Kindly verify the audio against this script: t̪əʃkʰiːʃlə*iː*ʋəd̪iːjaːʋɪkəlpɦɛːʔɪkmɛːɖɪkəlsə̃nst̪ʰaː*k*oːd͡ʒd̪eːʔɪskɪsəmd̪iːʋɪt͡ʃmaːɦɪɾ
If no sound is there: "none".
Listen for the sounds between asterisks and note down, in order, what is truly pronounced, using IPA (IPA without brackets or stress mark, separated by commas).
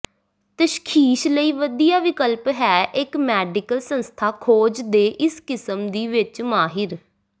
iː, kʰ